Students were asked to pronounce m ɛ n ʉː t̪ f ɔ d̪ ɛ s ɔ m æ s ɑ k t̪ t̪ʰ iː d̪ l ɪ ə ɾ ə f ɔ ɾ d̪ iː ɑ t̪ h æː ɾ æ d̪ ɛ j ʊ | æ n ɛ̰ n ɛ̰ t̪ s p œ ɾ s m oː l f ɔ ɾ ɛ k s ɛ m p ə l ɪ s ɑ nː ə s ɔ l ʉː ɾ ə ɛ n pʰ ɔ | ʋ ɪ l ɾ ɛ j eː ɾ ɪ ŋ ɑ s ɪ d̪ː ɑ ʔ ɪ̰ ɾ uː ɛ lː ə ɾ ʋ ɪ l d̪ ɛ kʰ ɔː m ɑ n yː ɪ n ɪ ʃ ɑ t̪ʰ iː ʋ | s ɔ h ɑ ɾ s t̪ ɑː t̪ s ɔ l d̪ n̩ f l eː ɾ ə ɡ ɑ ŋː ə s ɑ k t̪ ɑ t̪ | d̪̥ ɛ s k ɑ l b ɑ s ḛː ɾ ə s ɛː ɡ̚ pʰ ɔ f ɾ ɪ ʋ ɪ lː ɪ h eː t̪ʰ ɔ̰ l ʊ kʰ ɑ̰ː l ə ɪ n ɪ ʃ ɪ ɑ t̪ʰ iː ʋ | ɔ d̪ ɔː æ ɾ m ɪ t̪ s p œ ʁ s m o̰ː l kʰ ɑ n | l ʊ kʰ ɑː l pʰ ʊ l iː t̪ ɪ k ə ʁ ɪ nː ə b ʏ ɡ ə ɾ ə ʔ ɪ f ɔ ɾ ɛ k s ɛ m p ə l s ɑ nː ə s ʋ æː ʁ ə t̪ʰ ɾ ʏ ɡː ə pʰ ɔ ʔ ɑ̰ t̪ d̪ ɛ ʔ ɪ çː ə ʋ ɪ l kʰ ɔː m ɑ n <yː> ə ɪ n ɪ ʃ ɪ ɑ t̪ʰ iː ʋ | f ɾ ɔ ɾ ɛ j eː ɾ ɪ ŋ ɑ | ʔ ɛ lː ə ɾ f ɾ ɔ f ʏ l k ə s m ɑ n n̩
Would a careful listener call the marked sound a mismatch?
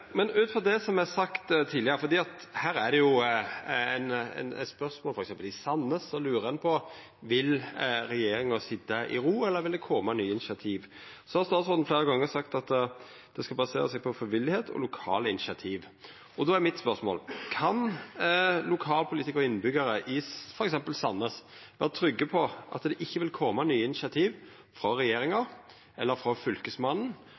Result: no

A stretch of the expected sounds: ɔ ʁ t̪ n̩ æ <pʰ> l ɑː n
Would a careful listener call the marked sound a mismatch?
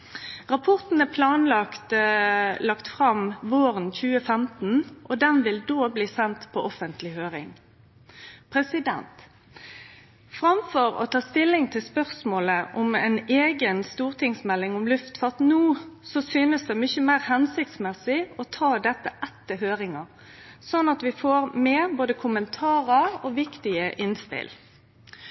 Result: no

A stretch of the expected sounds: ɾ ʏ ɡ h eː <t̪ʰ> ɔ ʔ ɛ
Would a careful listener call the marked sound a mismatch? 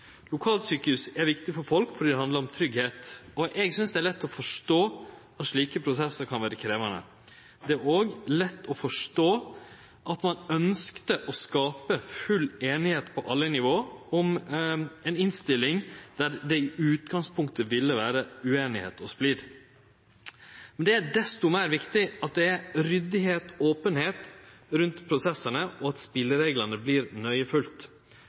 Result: yes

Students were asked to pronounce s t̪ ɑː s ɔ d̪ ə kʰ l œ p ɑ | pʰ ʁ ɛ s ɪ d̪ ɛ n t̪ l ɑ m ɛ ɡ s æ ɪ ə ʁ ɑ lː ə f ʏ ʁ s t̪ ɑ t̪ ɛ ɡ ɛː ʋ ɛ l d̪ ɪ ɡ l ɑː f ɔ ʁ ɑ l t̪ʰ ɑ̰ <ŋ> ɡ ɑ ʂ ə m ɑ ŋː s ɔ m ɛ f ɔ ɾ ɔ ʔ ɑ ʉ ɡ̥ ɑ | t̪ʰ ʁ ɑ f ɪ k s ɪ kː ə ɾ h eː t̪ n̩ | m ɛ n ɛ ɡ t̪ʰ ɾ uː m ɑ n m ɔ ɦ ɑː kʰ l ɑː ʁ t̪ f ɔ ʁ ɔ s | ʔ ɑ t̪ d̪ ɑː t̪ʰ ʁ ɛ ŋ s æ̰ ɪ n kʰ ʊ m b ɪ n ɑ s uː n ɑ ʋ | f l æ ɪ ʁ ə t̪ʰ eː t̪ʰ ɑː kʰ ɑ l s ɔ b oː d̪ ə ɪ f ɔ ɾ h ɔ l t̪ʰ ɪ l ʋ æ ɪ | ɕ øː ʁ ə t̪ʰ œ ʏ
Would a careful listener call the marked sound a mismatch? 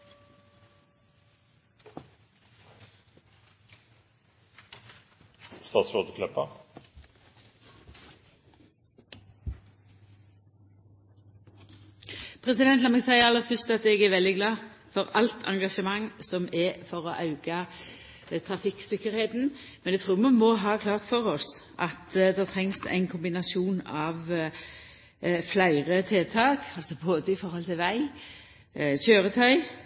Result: no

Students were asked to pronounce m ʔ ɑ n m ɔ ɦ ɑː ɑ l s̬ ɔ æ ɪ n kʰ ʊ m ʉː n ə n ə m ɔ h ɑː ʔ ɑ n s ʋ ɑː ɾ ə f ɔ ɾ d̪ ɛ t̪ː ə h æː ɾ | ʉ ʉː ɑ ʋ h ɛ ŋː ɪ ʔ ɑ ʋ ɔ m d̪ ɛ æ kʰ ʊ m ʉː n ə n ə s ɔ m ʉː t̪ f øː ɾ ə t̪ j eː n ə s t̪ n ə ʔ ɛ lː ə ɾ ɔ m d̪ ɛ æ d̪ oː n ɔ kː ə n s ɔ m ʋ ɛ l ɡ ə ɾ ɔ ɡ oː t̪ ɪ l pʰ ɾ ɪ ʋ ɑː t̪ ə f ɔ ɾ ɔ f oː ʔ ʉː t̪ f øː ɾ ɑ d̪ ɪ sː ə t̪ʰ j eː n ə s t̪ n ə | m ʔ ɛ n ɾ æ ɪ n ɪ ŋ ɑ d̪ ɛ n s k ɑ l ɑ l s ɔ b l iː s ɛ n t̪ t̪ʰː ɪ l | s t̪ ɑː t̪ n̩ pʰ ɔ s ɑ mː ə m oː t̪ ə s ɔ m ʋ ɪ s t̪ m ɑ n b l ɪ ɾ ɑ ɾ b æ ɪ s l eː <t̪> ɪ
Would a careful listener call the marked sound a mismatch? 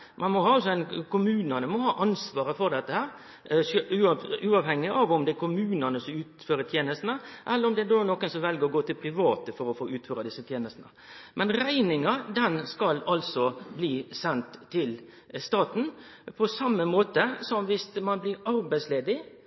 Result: yes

